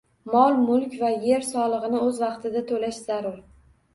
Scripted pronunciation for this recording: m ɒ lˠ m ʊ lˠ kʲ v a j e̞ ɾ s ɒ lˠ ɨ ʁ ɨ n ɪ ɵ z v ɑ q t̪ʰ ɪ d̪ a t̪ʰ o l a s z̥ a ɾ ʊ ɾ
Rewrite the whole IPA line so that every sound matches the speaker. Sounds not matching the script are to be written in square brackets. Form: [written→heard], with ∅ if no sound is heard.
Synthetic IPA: m ɒ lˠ m ʊ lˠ kʲ v a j e̞ ɾ s ɒ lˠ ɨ ʁ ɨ n ɪ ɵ z v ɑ q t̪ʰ ɪ d̪ a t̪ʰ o l a [s→ʃ] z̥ a ɾ ʊ ɾ